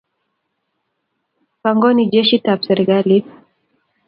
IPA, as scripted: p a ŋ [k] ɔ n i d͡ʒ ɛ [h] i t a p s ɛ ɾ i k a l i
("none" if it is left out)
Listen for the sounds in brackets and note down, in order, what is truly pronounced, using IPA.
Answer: ɡ, ʃ

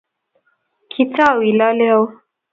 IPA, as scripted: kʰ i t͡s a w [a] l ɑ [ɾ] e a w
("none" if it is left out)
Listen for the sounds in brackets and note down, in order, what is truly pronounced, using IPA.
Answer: i, l

